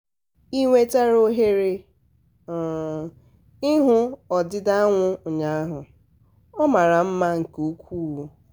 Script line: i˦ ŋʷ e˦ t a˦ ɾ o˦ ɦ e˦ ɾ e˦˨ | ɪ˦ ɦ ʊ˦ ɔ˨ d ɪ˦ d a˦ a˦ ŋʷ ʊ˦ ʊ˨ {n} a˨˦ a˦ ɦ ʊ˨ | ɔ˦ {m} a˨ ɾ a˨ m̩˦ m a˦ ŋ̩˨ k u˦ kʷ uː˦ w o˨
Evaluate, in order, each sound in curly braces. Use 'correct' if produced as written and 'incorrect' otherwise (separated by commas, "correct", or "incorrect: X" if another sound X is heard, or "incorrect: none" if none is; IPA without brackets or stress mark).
incorrect: ɲ, correct